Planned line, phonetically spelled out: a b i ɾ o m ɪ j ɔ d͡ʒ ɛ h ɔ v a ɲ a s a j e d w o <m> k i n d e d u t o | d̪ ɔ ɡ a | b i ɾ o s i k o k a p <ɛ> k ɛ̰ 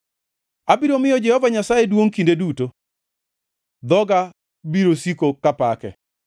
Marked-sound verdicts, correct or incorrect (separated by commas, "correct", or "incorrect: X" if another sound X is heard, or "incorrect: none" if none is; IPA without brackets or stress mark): incorrect: ŋ, incorrect: a